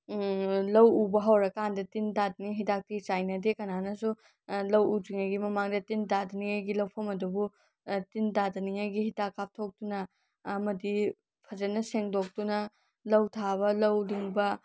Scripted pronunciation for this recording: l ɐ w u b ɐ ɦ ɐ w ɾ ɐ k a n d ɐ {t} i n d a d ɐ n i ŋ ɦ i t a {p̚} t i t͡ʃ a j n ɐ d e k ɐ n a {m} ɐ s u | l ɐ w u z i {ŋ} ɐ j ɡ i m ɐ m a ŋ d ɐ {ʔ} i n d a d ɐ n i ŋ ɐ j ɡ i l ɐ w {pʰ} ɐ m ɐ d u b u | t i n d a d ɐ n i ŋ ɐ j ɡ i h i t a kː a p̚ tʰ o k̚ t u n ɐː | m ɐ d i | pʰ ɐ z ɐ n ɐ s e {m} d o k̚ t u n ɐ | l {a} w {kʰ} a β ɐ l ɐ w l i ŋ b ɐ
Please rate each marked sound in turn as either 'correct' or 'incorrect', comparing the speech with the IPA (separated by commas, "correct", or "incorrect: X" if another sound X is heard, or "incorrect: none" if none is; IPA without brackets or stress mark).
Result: correct, incorrect: k̚, incorrect: n, correct, incorrect: t, correct, incorrect: ŋ, incorrect: ɐ, incorrect: tʰ